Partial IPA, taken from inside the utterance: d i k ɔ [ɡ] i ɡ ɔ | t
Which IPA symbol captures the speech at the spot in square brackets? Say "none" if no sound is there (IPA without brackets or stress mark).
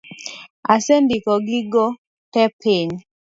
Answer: ɡ